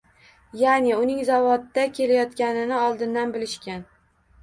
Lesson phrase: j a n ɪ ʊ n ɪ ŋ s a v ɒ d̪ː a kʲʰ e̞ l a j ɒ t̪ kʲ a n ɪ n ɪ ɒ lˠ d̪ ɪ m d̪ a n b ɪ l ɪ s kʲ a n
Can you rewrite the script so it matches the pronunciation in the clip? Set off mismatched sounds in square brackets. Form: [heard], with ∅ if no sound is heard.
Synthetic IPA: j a n ɪ ʊ n ɪ ŋ [z] a v ɒ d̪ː a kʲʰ e̞ l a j ɒ t̪ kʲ a n ɪ n ɪ ɒ lˠ d̪ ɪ [n] d̪ a n b ɪ l ɪ [ʃ] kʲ a n